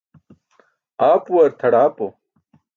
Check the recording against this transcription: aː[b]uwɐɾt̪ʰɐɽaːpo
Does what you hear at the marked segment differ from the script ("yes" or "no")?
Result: yes